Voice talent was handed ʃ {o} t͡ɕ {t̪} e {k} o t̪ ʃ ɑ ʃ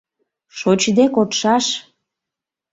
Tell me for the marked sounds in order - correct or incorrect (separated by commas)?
correct, incorrect, correct